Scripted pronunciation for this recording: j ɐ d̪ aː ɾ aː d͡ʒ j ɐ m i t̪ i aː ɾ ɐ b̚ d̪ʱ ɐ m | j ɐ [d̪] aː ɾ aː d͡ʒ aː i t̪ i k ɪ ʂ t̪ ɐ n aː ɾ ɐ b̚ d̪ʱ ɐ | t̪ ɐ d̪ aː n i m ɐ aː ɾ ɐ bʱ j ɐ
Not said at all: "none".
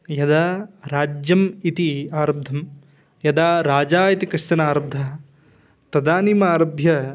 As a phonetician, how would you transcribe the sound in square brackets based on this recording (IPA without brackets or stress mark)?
d̪